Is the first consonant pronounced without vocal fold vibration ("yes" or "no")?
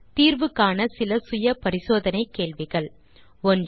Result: yes